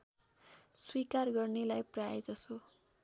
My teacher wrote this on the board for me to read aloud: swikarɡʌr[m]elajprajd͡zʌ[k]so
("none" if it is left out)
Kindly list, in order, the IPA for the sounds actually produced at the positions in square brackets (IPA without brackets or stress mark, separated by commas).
n, none